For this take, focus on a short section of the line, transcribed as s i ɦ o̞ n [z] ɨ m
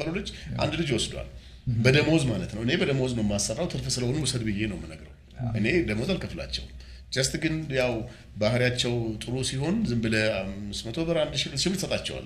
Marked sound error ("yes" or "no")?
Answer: no